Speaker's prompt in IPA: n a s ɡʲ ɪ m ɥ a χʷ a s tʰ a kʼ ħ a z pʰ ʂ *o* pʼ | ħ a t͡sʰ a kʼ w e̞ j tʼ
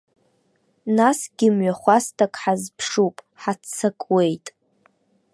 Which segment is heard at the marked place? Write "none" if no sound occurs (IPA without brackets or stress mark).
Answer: u